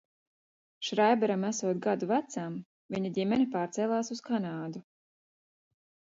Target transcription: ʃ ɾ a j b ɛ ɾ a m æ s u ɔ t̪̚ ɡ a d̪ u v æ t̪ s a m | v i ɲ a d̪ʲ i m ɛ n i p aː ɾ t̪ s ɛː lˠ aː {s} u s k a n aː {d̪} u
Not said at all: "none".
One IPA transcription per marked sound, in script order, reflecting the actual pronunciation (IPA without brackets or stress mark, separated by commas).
s, d̪